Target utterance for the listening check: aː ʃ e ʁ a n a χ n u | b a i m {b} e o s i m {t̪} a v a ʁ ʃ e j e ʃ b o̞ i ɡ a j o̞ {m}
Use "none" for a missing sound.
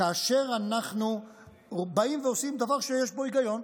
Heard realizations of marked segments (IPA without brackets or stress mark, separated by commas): v, d̪, n